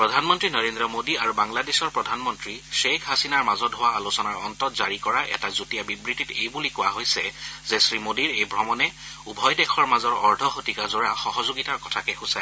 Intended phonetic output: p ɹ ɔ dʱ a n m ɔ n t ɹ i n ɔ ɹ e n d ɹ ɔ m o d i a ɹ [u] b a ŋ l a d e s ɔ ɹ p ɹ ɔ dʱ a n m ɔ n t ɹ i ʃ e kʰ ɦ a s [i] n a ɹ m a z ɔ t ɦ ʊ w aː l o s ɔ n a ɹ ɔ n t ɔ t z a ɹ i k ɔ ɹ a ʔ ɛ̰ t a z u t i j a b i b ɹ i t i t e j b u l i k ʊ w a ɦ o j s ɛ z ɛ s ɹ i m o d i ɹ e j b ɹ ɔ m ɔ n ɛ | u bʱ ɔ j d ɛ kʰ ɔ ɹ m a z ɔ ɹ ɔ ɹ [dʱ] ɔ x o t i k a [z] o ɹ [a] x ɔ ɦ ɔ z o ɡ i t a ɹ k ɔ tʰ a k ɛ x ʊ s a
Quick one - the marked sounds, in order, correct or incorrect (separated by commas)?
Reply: correct, correct, correct, correct, correct